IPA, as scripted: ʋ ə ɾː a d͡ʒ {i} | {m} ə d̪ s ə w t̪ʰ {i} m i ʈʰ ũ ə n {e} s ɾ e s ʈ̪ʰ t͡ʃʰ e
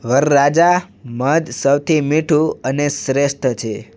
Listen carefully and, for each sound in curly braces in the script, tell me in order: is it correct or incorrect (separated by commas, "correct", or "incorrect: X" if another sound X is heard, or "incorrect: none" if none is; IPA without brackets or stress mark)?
incorrect: a, correct, correct, correct